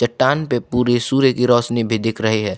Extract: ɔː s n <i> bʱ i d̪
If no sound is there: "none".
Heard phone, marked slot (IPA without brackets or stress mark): i